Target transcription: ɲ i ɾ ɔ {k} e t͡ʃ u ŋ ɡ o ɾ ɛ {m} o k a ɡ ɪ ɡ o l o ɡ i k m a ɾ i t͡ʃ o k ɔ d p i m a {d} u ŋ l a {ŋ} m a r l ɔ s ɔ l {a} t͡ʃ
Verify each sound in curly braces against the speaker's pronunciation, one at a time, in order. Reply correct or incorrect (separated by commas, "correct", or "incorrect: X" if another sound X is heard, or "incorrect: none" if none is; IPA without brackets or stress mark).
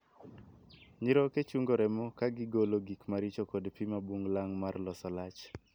correct, correct, incorrect: b, correct, correct